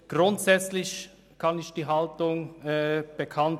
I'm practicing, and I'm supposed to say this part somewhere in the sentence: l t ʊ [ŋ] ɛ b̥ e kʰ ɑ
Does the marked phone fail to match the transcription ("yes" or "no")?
no